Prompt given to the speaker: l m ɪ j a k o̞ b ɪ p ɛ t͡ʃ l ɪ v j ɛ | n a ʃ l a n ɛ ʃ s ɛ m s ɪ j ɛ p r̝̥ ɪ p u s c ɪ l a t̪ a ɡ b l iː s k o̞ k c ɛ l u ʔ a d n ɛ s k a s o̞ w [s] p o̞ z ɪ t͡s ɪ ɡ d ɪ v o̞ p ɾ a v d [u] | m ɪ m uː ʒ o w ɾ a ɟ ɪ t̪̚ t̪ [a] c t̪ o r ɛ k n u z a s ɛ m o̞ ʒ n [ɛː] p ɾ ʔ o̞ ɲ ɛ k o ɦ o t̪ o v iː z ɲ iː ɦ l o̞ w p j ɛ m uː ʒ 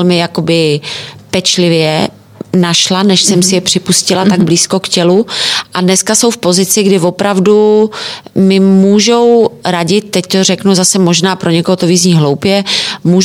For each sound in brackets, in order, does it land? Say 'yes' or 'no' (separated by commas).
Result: no, yes, no, no